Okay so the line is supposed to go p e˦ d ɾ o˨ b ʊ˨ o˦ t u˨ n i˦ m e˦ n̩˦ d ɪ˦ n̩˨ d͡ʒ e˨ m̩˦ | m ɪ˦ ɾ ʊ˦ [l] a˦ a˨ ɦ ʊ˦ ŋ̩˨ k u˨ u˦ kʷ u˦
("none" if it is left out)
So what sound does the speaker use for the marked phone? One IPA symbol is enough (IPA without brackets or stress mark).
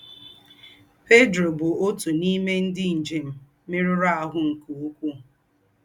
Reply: ɾ